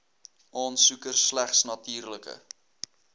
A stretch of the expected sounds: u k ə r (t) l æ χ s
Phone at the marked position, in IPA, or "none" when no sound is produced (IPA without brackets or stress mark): s